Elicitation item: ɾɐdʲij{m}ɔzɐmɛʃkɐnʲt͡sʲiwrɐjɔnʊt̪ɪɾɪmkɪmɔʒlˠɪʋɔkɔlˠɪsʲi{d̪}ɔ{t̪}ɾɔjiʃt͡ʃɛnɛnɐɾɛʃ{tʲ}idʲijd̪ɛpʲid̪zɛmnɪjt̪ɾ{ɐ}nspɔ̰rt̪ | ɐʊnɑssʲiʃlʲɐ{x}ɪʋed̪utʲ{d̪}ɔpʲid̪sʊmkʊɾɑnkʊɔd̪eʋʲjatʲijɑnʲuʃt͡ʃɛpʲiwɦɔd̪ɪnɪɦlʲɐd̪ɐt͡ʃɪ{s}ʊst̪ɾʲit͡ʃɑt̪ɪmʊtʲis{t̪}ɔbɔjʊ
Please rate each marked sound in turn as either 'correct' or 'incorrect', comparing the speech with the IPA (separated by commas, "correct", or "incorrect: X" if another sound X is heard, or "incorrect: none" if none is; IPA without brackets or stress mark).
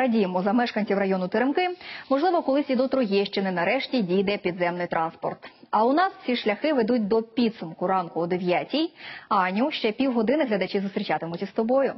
correct, correct, correct, correct, incorrect: ɑ, correct, correct, incorrect: z, correct